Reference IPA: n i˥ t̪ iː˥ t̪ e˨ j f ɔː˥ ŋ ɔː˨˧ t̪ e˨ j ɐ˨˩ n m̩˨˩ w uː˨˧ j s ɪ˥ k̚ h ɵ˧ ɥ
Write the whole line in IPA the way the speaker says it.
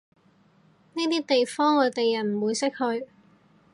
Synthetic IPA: n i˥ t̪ iː˥ t̪ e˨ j f ɔː˥ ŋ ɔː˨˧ t̪ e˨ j ɐ˨˩ n m̩˨˩ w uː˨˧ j s ɪ˥ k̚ h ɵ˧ ɥ